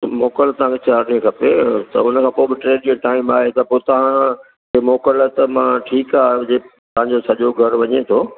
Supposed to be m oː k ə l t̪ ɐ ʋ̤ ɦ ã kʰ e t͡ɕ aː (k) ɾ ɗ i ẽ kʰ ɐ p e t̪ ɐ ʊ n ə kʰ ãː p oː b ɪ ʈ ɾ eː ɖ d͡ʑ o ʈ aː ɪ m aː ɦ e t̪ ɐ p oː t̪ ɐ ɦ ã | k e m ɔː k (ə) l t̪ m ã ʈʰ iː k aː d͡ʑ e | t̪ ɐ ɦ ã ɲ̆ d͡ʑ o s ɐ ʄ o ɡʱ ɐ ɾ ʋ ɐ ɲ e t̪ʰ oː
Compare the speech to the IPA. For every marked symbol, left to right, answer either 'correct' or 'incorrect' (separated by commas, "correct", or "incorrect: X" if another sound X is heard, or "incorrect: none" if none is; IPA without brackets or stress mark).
incorrect: none, correct